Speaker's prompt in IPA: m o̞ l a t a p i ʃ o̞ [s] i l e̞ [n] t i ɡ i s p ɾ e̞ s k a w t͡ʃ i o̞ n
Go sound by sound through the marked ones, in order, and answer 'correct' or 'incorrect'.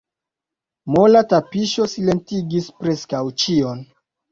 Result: correct, correct

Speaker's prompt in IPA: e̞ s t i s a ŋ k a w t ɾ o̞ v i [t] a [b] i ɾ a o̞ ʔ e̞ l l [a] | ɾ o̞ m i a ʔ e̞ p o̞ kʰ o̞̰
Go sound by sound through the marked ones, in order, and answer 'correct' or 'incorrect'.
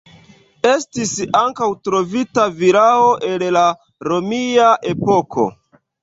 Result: correct, incorrect, correct

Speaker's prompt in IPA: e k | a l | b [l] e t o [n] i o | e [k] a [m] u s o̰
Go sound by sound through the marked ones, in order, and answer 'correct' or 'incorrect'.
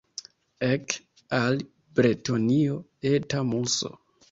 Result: incorrect, correct, incorrect, correct

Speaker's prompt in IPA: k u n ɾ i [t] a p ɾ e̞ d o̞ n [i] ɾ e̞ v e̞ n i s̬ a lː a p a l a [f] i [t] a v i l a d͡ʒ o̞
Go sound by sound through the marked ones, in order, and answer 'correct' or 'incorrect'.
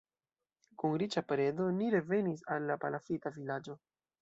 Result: incorrect, correct, correct, correct

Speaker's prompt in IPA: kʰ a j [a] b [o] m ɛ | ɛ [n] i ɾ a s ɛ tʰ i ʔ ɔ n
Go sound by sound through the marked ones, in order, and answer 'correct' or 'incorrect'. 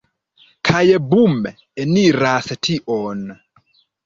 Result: incorrect, incorrect, correct

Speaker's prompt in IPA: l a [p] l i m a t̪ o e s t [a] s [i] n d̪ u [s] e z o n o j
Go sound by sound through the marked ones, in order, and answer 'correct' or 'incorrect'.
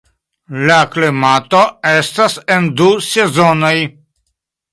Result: incorrect, correct, incorrect, correct

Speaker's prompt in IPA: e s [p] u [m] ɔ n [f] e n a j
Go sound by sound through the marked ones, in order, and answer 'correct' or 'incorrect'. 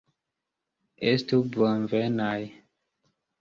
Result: incorrect, incorrect, incorrect

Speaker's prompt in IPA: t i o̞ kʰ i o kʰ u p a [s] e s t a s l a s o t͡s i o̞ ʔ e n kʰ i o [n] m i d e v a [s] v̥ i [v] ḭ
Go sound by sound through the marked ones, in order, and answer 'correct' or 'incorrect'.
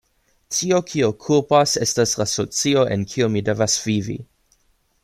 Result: correct, incorrect, correct, correct

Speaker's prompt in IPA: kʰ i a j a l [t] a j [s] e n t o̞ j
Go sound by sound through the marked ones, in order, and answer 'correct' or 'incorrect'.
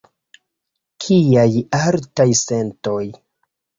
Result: correct, correct

